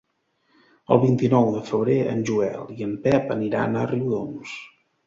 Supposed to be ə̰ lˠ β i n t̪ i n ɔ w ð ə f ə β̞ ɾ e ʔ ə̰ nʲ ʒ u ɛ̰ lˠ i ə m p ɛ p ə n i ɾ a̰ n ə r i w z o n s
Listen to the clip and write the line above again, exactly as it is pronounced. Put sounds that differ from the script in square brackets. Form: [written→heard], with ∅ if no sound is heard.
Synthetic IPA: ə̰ lˠ β i n t̪ i n ɔ w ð ə f ə β̞ ɾ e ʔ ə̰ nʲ ʒ u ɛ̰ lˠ i ə m p ɛ p ə n i ɾ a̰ n ə r i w [z→ð] o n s